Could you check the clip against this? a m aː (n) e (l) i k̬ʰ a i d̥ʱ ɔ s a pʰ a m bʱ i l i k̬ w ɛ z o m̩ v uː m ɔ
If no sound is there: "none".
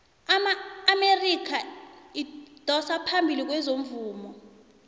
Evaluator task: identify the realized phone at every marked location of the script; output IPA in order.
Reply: m, r

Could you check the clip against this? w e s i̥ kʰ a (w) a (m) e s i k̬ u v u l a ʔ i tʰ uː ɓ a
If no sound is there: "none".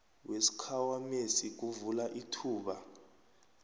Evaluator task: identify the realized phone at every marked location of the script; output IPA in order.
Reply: w, m

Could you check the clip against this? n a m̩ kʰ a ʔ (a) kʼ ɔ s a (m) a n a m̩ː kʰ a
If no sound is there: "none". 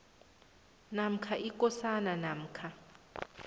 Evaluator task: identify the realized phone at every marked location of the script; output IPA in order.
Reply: i, n

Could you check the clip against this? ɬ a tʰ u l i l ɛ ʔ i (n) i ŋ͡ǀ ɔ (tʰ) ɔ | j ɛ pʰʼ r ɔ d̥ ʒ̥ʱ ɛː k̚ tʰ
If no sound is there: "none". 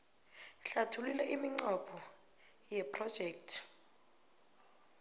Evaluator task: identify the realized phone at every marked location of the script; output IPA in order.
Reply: m, pʰ

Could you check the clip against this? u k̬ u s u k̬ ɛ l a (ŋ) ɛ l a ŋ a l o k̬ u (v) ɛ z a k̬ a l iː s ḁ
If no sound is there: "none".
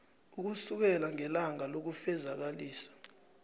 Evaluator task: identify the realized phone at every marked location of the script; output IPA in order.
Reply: ŋ, f

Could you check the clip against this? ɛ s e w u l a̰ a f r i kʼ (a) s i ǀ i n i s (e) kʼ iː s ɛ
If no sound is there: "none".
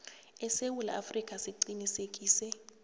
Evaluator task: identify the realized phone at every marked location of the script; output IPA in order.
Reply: a, e

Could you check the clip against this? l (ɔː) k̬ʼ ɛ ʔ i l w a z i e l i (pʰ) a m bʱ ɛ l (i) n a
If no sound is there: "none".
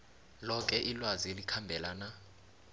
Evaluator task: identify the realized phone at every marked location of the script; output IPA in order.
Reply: ɔ, kʰ, a

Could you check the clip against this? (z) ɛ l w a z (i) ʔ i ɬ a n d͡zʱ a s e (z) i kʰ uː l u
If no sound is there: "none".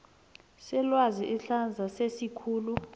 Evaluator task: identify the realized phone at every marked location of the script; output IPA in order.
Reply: s, i, s

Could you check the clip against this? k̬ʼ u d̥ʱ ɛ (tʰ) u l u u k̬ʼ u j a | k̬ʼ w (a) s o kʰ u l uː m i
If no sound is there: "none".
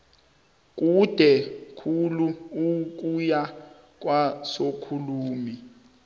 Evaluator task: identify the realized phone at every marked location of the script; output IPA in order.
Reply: kʰ, a

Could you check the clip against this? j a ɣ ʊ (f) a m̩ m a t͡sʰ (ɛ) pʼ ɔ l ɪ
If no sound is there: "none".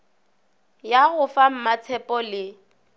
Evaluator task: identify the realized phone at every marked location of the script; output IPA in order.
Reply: f, ɛ

